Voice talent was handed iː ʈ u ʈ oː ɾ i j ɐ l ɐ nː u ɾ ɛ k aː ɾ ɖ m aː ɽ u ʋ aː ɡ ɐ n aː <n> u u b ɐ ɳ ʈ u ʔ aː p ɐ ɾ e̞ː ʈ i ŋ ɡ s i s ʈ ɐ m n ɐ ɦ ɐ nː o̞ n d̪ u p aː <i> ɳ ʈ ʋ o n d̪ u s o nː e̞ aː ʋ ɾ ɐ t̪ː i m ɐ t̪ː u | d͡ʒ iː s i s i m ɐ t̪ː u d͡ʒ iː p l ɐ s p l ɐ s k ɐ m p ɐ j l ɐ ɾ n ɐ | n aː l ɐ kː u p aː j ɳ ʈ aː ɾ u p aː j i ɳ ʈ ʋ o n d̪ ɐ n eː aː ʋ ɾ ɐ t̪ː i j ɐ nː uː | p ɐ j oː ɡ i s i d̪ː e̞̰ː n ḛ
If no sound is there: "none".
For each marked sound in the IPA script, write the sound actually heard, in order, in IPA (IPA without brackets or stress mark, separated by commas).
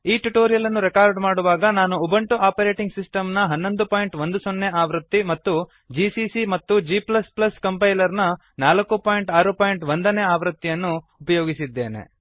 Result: n, j